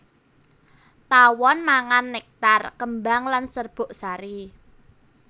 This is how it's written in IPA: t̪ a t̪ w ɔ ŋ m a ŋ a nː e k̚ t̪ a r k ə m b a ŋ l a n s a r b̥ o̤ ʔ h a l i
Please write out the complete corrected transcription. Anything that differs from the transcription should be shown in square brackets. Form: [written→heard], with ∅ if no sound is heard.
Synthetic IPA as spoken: t̪ a [t̪→∅] w ɔ [ŋ→n] m a ŋ a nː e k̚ t̪ a r k ə m b a ŋ l a n s [a→ə] r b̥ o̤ ʔ [h→s] a [l→ɾ] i